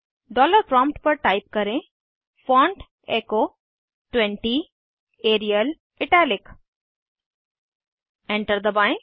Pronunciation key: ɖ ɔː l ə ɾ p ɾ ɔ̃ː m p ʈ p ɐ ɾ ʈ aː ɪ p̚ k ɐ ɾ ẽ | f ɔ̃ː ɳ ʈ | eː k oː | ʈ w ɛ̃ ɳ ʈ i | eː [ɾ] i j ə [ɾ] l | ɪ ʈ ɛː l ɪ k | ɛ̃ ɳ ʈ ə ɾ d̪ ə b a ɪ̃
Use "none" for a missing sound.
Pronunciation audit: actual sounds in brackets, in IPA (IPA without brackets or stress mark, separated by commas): ɾ, none